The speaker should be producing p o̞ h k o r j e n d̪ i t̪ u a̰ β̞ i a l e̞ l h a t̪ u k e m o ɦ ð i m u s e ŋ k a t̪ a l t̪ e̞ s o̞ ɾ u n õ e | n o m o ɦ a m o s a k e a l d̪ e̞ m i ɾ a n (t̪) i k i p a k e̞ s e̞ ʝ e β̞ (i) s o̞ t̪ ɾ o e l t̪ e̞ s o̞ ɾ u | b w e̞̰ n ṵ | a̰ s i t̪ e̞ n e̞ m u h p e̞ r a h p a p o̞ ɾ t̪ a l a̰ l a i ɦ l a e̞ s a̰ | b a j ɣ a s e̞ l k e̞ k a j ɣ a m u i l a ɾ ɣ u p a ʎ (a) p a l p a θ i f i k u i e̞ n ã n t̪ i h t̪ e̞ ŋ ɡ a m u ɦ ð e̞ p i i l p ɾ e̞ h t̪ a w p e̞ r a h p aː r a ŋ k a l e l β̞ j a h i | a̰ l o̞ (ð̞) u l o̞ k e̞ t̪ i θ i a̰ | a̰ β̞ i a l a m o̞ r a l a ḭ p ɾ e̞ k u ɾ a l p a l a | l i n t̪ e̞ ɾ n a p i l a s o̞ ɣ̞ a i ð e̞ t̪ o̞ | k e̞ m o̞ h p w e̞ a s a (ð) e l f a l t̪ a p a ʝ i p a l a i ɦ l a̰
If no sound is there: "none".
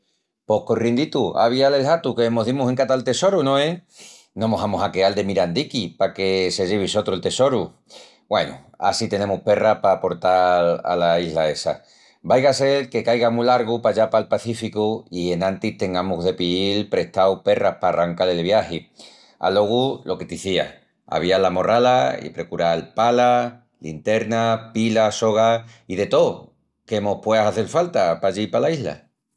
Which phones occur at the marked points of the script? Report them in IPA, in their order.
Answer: d̪, i, a, ɣ̞, θ

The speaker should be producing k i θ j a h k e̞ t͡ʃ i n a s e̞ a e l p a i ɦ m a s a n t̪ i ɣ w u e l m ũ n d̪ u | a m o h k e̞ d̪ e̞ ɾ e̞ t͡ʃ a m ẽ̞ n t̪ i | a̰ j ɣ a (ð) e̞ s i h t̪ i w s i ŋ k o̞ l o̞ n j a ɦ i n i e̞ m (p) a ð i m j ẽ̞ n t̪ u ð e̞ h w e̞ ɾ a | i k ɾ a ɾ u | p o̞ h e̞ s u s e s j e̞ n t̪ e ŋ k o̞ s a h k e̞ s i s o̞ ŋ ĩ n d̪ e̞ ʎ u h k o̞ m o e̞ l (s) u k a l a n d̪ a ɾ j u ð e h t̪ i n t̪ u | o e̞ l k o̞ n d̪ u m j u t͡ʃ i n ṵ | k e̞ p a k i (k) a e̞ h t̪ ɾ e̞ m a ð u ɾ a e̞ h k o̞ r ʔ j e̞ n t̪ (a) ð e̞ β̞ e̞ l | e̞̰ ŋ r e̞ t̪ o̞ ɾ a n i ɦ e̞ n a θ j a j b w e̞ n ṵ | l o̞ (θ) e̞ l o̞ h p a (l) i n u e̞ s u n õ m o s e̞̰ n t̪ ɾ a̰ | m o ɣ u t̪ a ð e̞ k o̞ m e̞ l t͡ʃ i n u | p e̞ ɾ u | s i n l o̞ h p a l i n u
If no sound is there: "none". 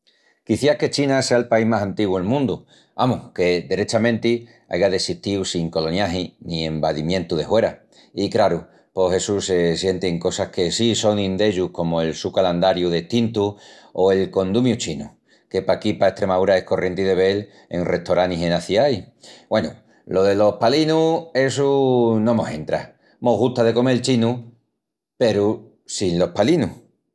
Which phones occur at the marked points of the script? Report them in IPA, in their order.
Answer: ð, b, s, p, i, ð, l

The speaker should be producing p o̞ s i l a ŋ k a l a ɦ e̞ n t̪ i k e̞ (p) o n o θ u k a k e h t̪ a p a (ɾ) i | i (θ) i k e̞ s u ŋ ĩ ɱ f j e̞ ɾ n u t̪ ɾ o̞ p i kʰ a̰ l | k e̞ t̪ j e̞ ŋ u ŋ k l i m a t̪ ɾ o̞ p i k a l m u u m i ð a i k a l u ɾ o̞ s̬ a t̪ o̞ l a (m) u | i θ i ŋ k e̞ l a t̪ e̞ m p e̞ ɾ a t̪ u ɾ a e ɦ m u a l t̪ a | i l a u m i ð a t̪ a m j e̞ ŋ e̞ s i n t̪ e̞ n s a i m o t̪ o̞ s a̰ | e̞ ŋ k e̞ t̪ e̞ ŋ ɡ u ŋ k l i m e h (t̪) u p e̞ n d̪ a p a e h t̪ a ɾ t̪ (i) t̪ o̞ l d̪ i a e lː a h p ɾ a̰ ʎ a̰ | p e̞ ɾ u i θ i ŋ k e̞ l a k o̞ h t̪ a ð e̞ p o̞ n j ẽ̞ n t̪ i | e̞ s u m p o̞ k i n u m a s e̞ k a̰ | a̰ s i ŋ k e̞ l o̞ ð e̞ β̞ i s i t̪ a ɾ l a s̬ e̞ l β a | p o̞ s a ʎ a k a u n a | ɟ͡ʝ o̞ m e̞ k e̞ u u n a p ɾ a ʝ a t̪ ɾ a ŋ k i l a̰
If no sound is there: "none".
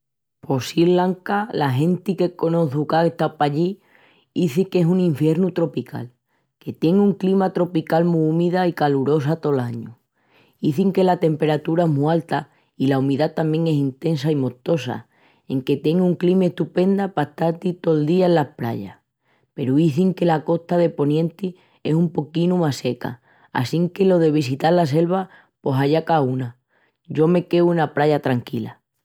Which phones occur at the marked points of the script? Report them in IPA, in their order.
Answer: k, ʎ, θ, ɲ, t̪, i

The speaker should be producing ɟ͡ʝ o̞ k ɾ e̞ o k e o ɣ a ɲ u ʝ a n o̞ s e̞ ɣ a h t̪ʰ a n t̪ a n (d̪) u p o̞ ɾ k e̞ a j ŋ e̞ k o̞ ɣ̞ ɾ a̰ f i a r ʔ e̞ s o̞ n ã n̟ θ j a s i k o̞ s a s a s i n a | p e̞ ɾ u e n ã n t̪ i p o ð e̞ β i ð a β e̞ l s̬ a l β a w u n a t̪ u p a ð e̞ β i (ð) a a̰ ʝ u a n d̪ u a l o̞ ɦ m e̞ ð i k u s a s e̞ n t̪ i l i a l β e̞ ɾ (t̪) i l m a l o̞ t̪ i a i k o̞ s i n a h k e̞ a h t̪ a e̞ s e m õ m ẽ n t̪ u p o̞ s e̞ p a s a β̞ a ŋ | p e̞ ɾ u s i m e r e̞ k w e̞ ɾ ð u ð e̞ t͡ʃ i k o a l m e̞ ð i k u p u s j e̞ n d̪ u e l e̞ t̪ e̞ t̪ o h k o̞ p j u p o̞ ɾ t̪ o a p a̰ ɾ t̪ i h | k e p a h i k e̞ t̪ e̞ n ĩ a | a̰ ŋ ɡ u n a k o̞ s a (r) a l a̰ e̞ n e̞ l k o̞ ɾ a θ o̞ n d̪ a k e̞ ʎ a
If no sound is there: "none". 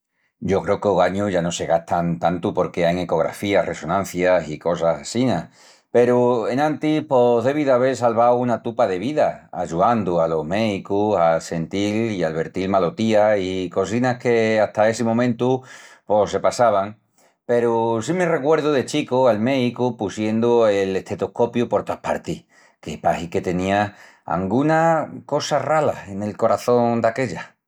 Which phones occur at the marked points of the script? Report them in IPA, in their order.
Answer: t̪, ð, t̪, r

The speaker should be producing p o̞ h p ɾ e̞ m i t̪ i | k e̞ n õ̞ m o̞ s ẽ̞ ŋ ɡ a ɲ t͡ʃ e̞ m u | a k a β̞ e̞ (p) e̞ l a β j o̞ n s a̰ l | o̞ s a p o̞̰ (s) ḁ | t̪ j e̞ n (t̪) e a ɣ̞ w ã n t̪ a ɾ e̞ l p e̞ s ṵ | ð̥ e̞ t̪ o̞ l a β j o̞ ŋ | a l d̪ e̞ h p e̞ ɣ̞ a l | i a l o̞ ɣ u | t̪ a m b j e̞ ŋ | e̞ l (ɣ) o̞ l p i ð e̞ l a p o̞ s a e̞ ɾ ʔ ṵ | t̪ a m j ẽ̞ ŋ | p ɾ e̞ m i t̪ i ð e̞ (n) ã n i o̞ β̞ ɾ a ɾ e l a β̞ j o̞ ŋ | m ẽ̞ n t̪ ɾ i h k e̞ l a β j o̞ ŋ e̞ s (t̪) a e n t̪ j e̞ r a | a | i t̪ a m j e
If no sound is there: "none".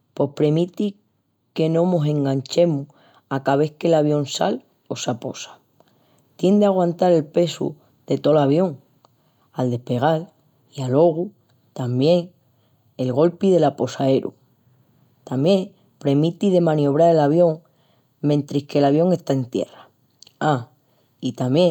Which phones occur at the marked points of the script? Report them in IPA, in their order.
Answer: k, s, d̪, ɣ, m, t̪

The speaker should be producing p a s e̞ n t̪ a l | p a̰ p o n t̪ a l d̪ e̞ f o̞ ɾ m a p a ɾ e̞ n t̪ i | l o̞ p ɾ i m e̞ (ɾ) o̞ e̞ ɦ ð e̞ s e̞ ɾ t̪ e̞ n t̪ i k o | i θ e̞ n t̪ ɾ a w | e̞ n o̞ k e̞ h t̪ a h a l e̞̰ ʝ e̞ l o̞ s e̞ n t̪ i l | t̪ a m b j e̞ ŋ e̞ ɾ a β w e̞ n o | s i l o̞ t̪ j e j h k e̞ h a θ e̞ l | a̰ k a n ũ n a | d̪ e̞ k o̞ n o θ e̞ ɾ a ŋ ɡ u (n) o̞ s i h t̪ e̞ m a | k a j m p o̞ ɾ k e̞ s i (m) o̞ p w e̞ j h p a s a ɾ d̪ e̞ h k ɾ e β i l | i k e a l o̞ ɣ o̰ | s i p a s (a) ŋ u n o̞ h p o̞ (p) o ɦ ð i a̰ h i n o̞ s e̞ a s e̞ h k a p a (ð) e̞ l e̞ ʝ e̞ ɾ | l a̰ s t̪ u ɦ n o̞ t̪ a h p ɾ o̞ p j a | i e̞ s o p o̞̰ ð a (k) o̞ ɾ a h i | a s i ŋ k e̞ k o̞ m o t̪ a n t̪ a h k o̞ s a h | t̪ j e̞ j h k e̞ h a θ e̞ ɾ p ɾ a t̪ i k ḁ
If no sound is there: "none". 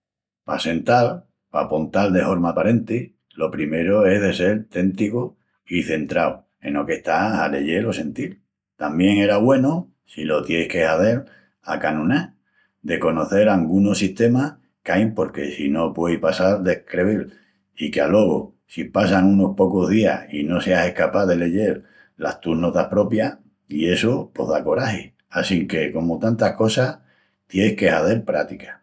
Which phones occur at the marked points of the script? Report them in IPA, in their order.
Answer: ɾ, n, n, a, k, ð, k

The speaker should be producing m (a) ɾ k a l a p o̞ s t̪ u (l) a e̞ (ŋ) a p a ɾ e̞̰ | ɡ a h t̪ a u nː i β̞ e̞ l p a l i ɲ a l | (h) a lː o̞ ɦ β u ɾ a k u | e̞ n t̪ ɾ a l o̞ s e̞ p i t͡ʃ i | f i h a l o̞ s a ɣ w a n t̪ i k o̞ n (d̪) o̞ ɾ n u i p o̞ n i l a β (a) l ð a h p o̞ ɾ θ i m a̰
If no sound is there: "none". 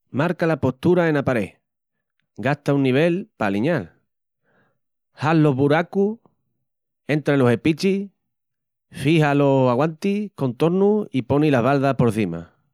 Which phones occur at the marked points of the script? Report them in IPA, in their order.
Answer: a, ɾ, n, h, t̪, a

